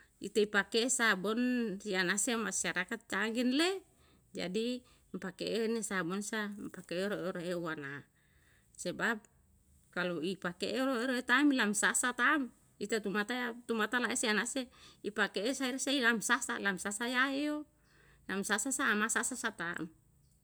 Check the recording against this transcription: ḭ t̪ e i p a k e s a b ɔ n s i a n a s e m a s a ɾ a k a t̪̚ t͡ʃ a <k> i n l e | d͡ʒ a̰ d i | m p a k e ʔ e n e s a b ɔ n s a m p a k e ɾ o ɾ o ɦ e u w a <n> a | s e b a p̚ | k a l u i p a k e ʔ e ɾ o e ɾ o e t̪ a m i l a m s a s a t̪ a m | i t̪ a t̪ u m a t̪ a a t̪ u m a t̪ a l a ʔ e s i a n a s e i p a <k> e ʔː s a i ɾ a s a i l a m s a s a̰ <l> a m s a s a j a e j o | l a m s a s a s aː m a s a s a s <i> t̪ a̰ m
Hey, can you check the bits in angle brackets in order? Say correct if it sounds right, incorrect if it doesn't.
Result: incorrect, correct, correct, correct, incorrect

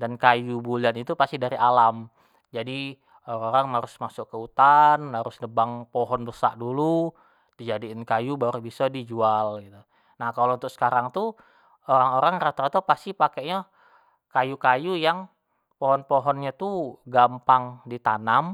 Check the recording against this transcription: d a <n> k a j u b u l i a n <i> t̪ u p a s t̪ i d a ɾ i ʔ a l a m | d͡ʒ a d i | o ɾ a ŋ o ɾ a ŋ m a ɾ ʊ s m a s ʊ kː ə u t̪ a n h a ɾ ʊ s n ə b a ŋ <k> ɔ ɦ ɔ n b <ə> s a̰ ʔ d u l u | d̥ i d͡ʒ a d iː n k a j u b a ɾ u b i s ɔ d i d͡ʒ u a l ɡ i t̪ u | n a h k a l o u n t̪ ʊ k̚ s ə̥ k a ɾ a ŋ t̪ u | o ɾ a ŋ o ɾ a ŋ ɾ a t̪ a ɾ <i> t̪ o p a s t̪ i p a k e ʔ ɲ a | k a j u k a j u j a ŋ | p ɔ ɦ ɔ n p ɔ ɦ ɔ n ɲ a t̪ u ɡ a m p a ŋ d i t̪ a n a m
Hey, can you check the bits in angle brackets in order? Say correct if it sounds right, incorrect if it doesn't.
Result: correct, correct, incorrect, correct, incorrect

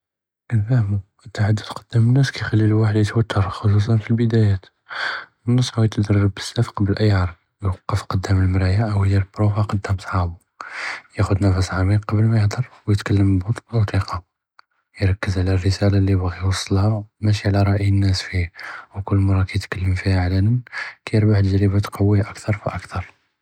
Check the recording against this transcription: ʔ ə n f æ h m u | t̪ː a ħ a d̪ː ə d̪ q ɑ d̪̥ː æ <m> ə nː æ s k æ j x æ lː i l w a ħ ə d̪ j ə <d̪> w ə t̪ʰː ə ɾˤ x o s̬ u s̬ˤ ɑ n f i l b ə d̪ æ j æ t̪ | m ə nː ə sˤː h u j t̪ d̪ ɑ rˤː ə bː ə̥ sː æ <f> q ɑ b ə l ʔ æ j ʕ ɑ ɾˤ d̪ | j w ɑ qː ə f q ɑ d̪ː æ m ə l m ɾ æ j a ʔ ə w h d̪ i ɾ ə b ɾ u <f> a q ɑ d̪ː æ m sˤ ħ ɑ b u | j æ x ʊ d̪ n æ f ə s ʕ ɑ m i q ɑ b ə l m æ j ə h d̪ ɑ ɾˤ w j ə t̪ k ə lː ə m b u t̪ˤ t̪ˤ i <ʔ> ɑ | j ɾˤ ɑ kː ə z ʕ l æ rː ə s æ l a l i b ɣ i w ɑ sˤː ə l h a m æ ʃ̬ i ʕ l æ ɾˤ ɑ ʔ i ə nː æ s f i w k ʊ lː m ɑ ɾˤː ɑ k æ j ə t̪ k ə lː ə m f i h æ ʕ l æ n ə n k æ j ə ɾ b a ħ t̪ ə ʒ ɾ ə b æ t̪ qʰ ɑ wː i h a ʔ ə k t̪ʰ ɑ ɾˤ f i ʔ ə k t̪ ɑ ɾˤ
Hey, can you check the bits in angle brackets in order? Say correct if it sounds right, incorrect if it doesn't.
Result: correct, incorrect, correct, correct, incorrect

